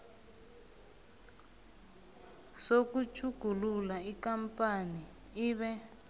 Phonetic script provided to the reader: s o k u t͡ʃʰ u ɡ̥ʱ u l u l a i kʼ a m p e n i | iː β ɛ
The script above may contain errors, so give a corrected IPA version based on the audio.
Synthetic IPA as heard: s o k u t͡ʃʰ u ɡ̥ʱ u l u l a i k a m p a n i | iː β ɛ

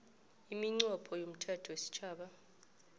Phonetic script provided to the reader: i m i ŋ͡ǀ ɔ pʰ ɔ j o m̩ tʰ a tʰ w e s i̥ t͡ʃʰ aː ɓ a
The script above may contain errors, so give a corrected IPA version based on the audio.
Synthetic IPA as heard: i m i ŋ͡ǀ ɔ pʰ ɔ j o m̩ tʰ a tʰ w e s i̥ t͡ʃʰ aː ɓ a

